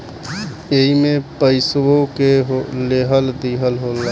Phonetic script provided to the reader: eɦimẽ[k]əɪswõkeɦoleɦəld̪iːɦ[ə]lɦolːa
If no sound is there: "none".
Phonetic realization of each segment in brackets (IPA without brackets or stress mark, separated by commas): p, ə